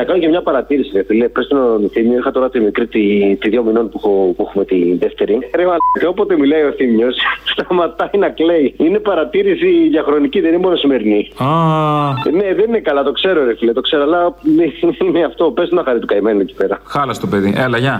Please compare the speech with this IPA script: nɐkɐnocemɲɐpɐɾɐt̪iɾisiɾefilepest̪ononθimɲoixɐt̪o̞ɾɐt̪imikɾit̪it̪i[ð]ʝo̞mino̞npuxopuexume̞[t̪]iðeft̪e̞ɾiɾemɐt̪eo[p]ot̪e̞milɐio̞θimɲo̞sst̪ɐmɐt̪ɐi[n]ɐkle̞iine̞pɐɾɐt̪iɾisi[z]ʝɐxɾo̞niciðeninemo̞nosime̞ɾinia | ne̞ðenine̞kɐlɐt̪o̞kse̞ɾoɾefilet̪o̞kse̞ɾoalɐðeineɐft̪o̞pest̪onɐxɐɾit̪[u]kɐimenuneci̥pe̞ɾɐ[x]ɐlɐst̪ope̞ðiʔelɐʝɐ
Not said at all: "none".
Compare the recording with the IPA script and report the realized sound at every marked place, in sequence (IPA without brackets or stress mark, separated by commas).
ð, t̪, p, n, ð, u, x